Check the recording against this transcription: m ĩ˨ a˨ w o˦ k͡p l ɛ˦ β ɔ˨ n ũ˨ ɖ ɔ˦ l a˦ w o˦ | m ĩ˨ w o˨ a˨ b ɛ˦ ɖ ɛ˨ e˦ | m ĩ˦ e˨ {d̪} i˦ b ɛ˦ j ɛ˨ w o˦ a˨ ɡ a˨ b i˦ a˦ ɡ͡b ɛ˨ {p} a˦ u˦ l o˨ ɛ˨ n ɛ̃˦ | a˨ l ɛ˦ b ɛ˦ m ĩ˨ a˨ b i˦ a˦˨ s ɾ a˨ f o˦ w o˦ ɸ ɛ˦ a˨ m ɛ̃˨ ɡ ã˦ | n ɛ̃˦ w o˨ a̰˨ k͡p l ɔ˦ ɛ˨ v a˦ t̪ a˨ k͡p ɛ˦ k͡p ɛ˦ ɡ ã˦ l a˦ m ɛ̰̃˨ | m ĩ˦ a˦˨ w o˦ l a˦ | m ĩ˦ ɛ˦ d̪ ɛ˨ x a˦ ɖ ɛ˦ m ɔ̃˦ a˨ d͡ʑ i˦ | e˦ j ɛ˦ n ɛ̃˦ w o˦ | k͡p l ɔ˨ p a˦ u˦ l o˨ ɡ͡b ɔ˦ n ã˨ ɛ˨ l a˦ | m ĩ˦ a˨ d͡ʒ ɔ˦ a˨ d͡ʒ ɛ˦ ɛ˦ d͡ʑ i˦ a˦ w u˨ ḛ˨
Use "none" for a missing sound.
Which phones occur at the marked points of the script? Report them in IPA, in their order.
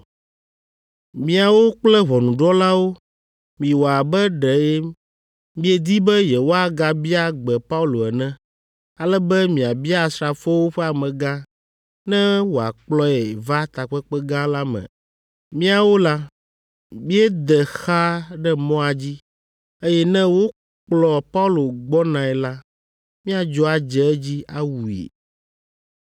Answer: d̪, p

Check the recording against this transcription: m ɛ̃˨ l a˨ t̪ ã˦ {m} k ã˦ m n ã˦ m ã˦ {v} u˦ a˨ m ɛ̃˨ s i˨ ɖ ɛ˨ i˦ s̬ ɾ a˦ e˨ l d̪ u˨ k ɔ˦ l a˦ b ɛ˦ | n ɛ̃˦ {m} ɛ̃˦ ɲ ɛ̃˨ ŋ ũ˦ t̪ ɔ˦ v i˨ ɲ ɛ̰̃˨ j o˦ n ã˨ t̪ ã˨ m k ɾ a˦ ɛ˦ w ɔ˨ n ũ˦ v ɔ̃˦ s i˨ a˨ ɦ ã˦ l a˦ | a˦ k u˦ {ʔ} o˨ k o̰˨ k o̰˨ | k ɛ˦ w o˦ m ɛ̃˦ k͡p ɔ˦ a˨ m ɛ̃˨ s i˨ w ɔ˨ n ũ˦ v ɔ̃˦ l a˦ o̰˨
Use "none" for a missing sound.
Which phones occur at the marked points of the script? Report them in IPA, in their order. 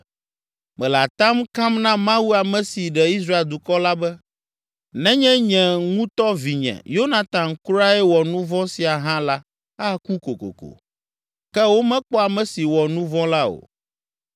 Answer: m, w, ɲ, k

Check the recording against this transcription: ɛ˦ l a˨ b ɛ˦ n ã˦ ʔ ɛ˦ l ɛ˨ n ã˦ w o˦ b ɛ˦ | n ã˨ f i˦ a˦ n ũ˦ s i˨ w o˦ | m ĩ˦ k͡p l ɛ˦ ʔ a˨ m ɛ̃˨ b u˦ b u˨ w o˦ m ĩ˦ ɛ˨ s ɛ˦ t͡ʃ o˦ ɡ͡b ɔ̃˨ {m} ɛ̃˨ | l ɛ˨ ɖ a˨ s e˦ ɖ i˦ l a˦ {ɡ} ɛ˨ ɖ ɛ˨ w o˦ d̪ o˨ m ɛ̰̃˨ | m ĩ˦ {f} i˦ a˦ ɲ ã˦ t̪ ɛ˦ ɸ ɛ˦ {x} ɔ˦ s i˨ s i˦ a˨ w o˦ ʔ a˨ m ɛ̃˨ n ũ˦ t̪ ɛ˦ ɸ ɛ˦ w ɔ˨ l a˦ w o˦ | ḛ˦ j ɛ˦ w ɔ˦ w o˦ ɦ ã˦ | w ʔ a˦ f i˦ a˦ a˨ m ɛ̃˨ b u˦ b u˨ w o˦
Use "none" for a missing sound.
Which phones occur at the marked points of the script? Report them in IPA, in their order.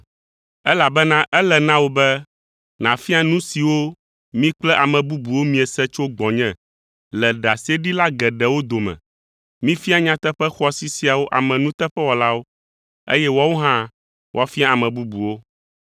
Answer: ɲ, ɡ, f, x

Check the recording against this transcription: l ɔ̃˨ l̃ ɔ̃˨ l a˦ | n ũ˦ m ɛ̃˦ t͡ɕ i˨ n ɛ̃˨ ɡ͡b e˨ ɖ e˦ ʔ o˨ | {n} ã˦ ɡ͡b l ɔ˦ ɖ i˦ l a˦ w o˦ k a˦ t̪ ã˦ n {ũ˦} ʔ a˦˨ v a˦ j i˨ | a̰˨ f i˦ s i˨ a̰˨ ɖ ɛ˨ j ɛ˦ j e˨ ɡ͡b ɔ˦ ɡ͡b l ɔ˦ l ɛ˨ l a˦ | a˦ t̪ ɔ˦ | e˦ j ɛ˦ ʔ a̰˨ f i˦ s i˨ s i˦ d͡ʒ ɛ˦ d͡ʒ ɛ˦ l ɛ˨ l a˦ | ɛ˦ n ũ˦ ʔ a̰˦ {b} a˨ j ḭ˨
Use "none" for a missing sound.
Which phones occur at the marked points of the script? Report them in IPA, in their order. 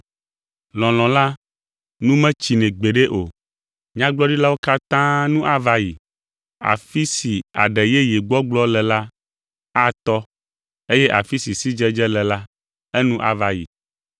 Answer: ɲ, ũ˦, v

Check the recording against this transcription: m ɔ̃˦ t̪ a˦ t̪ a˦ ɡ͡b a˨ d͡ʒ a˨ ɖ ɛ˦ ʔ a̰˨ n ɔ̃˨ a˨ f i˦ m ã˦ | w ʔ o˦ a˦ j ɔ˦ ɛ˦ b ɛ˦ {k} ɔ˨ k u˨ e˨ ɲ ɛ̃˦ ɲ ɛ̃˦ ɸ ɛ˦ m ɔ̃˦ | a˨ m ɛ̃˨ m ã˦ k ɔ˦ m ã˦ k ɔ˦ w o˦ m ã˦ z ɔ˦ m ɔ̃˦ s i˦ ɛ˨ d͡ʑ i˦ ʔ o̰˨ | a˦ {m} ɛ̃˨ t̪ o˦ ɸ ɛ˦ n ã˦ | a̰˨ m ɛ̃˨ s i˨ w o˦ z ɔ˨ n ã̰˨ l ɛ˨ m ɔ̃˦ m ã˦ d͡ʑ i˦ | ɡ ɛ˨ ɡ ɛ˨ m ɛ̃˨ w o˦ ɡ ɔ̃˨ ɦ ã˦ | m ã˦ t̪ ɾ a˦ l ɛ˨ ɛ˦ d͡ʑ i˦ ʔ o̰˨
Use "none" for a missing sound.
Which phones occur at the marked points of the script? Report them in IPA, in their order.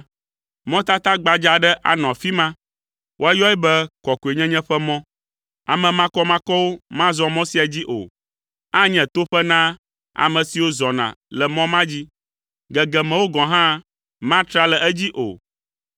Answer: k, ɲ

